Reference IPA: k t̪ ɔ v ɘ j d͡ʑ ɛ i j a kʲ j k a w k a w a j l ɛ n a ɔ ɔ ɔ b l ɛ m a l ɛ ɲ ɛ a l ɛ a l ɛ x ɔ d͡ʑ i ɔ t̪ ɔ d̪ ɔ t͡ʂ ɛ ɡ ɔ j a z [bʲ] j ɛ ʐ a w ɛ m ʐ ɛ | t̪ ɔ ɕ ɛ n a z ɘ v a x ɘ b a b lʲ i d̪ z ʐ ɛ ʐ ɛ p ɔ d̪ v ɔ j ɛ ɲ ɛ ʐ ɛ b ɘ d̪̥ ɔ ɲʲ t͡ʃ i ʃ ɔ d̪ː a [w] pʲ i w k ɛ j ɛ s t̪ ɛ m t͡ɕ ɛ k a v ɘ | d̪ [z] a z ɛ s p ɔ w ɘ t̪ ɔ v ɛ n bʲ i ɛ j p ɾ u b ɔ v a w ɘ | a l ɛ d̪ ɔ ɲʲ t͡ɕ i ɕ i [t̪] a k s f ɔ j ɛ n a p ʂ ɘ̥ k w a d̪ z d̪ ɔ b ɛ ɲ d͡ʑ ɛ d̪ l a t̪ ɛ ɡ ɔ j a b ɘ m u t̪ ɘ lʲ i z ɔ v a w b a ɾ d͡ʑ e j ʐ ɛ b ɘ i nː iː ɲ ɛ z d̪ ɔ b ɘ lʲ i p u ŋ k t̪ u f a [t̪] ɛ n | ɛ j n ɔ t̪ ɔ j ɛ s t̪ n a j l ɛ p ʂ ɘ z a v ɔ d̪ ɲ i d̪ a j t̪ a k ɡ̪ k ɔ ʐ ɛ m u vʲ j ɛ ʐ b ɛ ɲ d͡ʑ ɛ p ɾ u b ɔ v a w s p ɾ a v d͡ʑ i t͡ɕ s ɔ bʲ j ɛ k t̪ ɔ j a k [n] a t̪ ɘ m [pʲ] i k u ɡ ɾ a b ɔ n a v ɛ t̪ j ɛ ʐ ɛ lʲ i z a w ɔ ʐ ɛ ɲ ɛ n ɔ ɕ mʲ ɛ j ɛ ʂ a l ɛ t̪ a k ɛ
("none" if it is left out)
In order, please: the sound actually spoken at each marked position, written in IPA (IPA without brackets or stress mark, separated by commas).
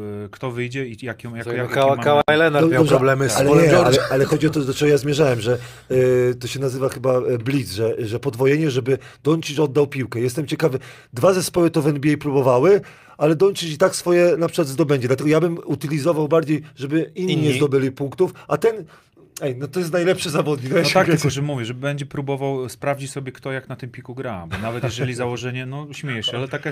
mʲ, w, v, t̪, t̪, n, pʲ